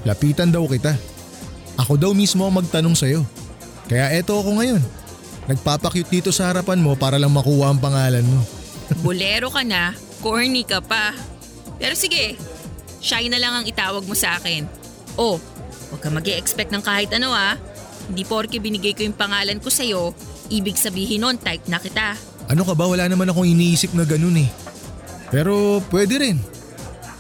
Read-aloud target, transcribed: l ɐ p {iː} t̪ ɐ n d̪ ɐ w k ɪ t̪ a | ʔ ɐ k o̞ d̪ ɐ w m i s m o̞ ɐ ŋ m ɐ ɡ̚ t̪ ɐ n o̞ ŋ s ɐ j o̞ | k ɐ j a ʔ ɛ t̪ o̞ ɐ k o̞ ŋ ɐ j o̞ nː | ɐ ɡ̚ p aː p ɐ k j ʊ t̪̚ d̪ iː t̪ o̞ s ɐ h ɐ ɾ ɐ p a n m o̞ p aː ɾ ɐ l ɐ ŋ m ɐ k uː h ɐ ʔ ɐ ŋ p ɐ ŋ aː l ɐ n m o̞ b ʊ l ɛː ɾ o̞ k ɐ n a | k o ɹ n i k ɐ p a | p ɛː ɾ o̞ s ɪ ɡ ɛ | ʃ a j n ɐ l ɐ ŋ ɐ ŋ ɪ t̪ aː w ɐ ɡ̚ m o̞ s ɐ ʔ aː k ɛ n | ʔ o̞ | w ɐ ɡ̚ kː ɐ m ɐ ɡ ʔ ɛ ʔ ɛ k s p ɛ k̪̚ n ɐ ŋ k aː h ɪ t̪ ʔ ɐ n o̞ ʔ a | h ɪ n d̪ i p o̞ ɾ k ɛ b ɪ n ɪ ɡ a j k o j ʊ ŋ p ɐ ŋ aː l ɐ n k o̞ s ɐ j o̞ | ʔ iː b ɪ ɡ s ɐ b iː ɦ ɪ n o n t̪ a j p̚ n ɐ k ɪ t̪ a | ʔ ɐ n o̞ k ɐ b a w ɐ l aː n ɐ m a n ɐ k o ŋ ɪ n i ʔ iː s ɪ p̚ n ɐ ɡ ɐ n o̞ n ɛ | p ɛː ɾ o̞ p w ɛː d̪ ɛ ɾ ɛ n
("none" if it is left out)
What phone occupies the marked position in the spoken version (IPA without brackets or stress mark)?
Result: iː